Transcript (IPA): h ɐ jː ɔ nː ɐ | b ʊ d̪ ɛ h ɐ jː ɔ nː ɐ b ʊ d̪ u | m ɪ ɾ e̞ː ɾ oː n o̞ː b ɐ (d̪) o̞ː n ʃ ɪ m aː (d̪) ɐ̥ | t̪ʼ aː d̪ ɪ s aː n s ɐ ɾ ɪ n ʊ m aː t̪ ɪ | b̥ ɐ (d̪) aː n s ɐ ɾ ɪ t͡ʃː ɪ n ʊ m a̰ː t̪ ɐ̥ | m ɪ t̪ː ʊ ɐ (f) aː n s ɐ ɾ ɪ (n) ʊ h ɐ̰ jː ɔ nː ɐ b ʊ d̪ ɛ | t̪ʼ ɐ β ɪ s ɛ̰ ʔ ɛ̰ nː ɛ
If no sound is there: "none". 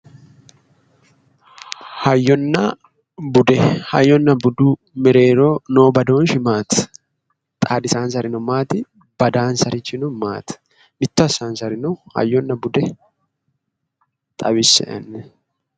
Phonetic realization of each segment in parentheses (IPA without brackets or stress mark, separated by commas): d̪, t̪, d̪, s, n